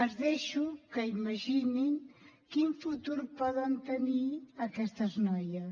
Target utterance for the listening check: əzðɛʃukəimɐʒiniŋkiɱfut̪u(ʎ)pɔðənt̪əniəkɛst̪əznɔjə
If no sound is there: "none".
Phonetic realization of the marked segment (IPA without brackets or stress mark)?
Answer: ɾ